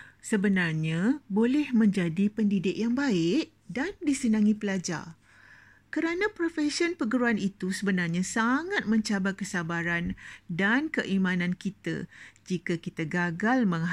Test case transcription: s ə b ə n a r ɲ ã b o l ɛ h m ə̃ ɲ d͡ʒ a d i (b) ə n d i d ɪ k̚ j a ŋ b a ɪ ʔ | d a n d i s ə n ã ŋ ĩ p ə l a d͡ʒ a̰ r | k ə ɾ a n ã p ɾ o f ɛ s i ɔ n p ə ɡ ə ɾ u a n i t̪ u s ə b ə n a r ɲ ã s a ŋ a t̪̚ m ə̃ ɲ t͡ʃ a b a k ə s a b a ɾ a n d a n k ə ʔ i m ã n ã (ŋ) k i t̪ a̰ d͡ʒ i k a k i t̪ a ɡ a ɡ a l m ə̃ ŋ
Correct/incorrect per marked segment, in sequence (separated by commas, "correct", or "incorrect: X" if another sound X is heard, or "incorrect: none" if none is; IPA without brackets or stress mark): incorrect: p, incorrect: n